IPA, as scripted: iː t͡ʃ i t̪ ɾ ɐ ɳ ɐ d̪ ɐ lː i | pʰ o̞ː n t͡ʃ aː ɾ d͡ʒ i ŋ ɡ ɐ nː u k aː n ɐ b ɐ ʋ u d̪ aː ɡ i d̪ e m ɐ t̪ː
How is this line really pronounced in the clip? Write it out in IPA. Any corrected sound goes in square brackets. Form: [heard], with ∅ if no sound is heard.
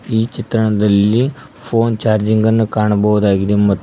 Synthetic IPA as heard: iː t͡ʃ i t̪ ɾ ɐ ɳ ɐ d̪ ɐ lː i | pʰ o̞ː n t͡ʃ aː ɾ d͡ʒ i ŋ ɡ ɐ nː u k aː [ɳ] ɐ b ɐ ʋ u d̪ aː ɡ i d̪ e m ɐ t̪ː